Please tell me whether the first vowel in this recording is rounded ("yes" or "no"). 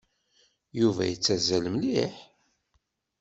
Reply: yes